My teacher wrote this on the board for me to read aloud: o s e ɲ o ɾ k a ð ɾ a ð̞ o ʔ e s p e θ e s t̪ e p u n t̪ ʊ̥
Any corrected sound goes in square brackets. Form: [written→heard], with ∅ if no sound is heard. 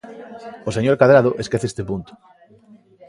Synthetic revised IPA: o s e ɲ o ɾ k a ð ɾ a ð̞ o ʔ e s [p→k] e θ e s t̪ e p u n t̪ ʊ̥